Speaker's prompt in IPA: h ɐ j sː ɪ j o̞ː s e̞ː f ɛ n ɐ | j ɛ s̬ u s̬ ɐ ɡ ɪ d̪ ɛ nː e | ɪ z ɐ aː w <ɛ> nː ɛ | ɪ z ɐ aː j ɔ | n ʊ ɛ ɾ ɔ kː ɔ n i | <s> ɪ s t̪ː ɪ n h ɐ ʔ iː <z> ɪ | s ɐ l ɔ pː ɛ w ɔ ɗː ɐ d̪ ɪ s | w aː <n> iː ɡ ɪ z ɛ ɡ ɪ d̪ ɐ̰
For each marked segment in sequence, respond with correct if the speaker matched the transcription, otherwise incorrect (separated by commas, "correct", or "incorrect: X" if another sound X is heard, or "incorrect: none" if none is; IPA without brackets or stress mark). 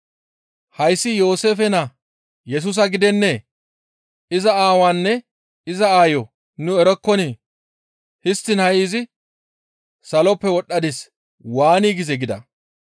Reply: incorrect: a, incorrect: h, correct, correct